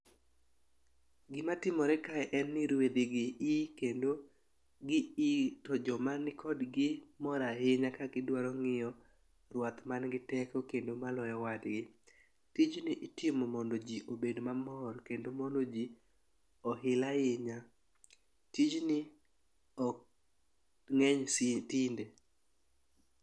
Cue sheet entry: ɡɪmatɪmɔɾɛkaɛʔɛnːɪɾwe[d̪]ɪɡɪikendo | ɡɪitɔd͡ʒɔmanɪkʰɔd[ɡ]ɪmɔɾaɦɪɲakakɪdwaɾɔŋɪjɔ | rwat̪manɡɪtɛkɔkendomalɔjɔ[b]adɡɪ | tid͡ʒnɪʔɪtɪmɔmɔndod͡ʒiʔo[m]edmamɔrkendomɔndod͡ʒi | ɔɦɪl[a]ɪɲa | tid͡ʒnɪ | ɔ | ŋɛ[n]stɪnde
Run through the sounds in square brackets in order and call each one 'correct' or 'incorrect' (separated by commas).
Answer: correct, correct, incorrect, incorrect, correct, incorrect